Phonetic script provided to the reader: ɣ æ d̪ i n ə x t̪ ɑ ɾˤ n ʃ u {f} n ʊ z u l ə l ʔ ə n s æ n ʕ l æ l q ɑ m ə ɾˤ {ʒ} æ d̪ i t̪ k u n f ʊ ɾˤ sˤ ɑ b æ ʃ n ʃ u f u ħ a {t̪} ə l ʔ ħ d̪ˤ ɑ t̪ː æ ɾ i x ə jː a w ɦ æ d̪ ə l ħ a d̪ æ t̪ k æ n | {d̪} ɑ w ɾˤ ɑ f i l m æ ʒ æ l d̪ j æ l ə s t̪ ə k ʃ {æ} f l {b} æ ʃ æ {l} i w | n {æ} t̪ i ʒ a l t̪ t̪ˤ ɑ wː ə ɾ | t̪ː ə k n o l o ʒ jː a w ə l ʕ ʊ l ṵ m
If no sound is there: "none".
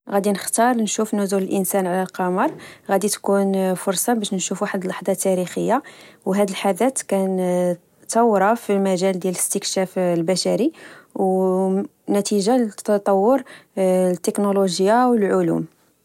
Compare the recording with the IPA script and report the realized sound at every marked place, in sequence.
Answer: f, ɣ, d̪, t̪, æ, b, ɾ, æ

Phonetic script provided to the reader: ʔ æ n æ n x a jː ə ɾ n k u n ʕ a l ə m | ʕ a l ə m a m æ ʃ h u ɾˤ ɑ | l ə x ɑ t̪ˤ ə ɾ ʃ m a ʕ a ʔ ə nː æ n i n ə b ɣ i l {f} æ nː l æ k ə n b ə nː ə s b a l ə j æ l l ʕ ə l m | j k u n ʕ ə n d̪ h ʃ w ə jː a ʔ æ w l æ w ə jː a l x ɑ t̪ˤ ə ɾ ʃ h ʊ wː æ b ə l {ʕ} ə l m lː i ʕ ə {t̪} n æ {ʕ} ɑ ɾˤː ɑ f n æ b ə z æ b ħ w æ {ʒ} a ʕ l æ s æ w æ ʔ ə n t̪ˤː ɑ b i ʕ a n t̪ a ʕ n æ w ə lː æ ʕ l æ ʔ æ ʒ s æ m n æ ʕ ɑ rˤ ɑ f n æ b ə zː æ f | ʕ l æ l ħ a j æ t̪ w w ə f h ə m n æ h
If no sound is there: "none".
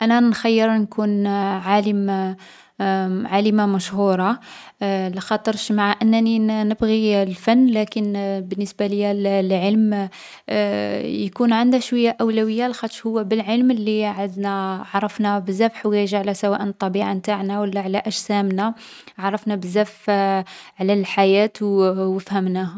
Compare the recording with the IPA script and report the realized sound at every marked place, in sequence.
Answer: f, ʕ, d̪, ʕ, ʒ

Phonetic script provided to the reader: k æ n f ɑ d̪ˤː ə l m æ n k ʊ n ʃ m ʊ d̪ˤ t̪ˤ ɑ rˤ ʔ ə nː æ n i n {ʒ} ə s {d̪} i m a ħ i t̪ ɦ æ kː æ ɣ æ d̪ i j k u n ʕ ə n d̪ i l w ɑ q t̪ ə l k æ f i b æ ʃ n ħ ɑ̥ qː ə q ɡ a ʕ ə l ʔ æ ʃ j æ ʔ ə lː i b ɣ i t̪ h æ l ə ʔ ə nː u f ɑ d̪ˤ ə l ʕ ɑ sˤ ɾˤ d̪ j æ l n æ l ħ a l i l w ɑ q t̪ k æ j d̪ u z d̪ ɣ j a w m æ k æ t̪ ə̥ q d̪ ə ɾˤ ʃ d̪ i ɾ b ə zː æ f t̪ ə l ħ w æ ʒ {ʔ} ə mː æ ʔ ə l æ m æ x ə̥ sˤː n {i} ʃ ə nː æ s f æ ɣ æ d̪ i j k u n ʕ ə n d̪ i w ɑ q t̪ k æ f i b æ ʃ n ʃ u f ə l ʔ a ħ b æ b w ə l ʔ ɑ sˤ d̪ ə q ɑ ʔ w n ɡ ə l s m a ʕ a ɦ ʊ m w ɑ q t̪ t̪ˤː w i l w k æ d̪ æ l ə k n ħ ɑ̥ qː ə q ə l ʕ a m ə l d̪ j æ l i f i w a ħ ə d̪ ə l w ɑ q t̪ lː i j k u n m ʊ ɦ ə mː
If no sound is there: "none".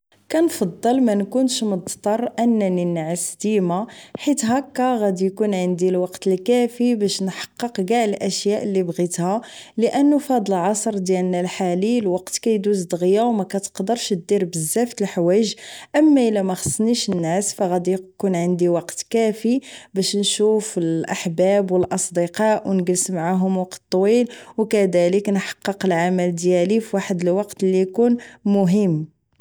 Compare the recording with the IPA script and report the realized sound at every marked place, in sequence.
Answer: ʕ, d̪, ʔ, i

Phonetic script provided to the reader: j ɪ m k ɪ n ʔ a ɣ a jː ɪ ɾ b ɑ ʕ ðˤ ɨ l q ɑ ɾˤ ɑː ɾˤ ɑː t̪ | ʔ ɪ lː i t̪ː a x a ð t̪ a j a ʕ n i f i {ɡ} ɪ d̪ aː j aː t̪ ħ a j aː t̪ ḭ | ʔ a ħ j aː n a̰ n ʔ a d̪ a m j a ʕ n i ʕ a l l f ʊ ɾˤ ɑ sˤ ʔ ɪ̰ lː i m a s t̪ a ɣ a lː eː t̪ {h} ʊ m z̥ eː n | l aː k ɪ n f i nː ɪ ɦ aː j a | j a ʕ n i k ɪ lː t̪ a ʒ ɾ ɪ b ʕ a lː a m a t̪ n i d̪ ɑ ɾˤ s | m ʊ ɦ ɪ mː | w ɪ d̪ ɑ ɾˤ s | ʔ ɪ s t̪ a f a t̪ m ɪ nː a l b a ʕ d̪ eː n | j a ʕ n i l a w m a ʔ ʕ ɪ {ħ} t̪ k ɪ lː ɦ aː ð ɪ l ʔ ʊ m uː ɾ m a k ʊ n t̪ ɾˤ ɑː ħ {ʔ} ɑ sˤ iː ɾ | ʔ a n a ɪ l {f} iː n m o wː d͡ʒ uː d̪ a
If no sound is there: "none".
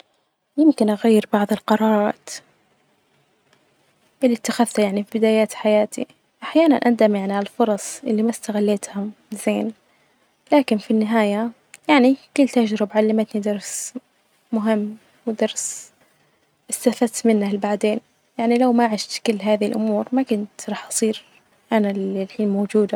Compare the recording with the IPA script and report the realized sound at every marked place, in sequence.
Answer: b, h, ʃ, ʔ, ħ

